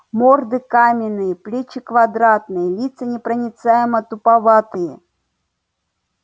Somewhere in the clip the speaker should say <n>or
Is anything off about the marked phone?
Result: yes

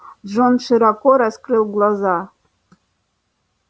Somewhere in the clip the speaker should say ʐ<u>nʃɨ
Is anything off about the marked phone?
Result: yes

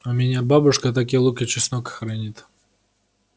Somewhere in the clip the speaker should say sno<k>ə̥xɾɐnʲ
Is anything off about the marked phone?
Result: no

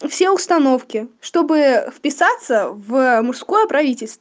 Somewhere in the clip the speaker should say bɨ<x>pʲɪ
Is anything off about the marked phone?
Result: yes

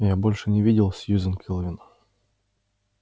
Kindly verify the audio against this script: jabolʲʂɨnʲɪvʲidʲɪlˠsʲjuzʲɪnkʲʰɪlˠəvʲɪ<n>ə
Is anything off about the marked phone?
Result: no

